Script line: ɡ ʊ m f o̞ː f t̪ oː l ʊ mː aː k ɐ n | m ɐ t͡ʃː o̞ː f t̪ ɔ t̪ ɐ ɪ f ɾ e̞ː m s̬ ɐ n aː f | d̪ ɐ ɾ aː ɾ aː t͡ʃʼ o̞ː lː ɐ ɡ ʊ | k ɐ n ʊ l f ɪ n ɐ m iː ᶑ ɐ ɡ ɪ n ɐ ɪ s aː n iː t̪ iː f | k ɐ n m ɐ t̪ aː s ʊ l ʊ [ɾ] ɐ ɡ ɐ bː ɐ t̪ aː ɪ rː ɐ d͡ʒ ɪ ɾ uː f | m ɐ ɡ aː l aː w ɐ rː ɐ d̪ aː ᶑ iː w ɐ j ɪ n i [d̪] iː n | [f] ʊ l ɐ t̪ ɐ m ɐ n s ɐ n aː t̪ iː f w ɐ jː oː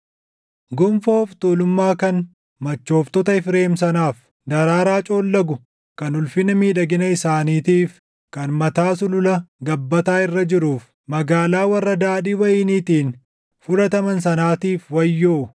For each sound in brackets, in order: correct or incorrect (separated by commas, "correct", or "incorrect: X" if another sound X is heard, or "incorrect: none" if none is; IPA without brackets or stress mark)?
incorrect: l, incorrect: t̪, correct